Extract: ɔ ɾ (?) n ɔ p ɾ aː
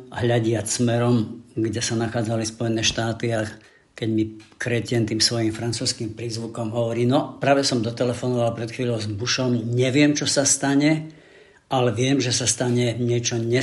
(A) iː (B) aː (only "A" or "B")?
A